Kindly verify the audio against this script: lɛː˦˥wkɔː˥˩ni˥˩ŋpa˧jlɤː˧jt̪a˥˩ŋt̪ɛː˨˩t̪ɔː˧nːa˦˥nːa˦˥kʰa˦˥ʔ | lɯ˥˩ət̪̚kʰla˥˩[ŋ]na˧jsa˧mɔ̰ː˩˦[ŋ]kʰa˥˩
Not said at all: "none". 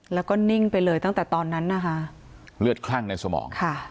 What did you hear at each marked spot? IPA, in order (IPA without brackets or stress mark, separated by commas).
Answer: ŋ, ŋ